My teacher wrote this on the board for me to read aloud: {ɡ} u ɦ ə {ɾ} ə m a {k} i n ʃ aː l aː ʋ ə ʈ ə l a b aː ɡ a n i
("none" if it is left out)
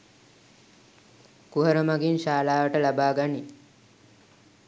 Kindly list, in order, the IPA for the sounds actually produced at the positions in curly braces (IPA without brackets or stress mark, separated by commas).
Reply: k, ɾ, ɡ